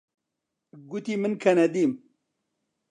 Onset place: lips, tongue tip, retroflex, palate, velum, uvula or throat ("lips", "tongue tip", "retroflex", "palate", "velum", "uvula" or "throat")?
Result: velum